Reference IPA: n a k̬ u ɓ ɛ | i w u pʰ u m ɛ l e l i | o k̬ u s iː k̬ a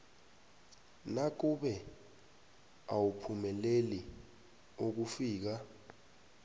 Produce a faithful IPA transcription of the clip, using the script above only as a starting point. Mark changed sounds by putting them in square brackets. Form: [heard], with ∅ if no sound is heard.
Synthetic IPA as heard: n a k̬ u ɓ ɛ | [a] w u pʰ u m ɛ l e l i | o k̬ u [f] iː k̬ a